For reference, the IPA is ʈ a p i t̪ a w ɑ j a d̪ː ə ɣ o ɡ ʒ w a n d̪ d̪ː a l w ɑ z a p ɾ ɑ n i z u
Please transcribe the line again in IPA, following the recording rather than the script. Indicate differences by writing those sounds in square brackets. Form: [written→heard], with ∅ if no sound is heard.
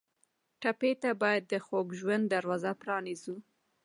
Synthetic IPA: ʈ a p [i→e] t̪ a [w→b] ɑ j a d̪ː ə [ɣ→x] o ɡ ʒ w a n d̪ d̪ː a [l→ɾ] w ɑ z a p ɾ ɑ n i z u